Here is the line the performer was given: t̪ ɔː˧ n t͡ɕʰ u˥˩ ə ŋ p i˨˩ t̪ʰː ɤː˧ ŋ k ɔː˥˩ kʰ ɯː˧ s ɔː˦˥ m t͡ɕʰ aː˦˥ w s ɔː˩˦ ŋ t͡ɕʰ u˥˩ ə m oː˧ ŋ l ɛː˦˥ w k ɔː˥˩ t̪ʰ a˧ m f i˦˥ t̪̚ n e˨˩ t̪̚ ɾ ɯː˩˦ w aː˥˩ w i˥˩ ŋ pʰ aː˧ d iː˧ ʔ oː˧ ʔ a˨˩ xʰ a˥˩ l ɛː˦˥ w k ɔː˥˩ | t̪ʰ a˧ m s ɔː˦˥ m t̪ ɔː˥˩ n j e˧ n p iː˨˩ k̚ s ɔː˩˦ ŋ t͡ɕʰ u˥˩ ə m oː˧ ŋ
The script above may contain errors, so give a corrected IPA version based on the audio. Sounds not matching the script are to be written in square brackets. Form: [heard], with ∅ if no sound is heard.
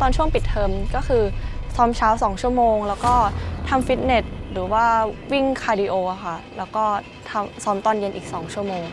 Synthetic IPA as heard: t̪ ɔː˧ n t͡ɕʰ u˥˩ ə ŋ p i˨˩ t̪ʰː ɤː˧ [m] k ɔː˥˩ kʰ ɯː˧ s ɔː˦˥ m t͡ɕʰ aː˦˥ w s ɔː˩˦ ŋ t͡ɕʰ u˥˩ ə m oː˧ ŋ l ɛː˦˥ w k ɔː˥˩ t̪ʰ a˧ m f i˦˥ t̪̚ n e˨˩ t̪̚ ɾ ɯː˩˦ w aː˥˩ w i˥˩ ŋ [kʰ] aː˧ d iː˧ ʔ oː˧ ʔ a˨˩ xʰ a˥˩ l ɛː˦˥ w k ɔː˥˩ | t̪ʰ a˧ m s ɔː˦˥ m t̪ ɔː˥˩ n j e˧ n [ʔ] iː˨˩ k̚ s ɔː˩˦ ŋ t͡ɕʰ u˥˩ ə m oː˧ ŋ